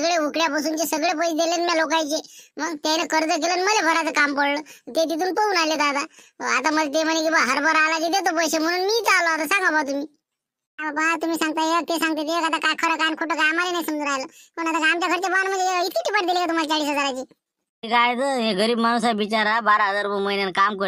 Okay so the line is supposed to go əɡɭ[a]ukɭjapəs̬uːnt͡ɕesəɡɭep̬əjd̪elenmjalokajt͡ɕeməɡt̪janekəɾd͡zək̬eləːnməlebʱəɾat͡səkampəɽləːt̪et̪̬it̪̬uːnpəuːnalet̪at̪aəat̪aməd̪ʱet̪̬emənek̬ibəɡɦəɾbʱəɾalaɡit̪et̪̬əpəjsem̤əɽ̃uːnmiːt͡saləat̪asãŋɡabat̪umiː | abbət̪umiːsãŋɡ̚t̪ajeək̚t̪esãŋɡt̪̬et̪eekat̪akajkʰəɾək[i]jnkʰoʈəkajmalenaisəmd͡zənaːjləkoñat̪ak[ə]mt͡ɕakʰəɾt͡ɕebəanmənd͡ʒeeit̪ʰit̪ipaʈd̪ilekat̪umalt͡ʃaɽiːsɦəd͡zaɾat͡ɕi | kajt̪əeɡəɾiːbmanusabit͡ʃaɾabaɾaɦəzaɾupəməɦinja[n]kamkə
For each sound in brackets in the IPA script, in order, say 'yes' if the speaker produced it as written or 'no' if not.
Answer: no, no, no, yes

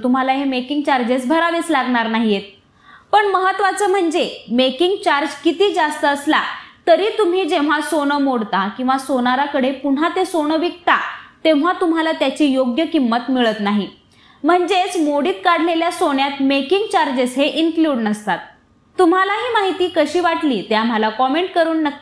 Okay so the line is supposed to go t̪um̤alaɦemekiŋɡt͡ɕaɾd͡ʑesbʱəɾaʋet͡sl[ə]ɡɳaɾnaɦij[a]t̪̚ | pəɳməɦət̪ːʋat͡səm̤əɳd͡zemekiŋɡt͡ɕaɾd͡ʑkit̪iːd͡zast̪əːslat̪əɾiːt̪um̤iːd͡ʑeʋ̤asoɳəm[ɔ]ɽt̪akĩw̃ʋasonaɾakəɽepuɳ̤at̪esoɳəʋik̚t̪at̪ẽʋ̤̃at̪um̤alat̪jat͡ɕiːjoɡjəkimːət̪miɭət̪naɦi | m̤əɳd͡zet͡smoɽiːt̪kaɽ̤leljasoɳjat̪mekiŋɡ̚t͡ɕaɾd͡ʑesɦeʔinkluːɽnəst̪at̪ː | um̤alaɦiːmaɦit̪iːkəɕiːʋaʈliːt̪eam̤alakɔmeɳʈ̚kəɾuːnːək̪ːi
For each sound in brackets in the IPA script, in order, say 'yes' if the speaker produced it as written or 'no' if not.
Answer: no, no, no

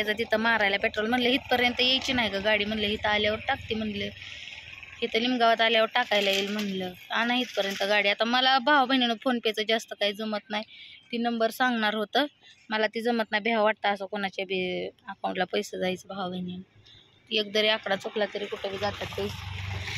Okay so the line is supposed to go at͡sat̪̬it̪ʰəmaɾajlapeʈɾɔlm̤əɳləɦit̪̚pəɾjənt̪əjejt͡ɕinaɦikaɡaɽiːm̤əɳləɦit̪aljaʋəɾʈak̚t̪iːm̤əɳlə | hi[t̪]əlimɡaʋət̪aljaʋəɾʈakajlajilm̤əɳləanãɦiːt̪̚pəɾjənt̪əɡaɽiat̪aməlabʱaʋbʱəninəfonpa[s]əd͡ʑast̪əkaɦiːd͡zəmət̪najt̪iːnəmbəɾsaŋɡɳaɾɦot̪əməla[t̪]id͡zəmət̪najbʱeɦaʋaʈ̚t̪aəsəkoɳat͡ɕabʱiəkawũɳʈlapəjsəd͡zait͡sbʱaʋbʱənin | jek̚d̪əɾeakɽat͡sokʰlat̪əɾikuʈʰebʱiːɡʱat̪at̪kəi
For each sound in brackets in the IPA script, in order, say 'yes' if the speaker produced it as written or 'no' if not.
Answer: yes, no, yes

